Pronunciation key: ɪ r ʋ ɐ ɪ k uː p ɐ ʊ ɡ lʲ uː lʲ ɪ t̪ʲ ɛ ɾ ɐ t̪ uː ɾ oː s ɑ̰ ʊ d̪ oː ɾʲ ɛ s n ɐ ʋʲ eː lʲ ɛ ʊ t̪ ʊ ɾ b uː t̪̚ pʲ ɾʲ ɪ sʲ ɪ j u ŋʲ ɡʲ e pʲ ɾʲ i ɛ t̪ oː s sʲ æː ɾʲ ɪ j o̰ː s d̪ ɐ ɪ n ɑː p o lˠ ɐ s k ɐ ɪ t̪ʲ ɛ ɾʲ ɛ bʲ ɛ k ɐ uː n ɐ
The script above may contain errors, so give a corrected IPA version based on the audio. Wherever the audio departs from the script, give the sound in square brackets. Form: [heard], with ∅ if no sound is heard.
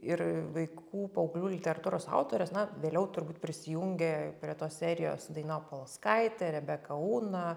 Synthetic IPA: ɪ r ʋ ɐ ɪ k uː p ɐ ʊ ɡ lʲ uː lʲ ɪ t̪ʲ ɛ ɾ ɐ t̪ uː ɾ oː s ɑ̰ ʊ [t̪] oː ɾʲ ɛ s n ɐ ʋʲ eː lʲ ɛ ʊ t̪ ʊ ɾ b uː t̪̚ pʲ ɾʲ ɪ sʲ ɪ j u ŋʲ ɡʲ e pʲ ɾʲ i ɛ t̪ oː s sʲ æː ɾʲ ɪ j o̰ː s d̪ ɐ ɪ n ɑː p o lˠ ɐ s k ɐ ɪ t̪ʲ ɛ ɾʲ ɛ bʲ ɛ k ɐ uː n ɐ